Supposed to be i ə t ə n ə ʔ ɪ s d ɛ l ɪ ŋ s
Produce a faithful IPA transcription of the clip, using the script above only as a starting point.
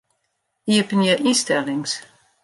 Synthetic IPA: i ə p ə n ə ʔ i s t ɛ l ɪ ŋ s